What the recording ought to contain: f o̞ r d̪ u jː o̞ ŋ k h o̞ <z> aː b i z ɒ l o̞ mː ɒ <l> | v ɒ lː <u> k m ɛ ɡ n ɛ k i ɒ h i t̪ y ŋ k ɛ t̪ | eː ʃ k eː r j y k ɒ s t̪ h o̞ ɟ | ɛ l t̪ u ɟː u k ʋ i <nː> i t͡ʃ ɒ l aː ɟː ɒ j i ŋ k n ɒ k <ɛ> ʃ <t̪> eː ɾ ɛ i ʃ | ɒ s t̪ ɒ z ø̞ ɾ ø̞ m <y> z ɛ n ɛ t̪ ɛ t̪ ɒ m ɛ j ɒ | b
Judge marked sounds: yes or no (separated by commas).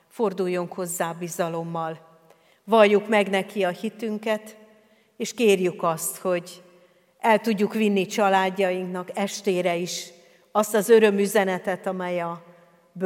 no, yes, yes, yes, yes, yes, yes